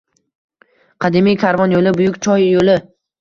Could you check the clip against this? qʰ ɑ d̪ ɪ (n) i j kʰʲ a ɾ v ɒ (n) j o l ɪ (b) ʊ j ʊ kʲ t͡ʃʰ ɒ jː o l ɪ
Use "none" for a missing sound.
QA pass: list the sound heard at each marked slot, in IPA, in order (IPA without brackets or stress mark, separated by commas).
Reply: m, n, b